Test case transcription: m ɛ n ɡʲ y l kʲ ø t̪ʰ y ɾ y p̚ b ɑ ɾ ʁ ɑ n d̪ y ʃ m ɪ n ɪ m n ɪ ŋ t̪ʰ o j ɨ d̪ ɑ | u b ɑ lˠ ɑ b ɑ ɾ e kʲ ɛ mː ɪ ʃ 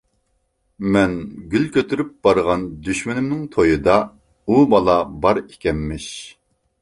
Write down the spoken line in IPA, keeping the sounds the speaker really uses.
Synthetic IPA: m ɛ n ɡʲ y l kʲ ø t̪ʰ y ɾ y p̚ b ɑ ɾ ʁ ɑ n d̪ y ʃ m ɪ n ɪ m n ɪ ŋ t̪ʰ o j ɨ d̪ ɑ | u b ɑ lˠ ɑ b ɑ ɾ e kʲ ɛ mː ɪ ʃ